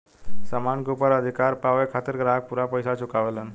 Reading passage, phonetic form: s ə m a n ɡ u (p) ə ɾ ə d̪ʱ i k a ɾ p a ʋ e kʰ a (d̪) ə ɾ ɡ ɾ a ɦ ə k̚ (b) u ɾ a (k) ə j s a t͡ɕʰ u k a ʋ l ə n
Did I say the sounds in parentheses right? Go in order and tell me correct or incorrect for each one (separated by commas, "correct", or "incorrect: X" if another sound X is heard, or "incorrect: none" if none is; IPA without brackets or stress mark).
correct, incorrect: t̪, incorrect: p, incorrect: p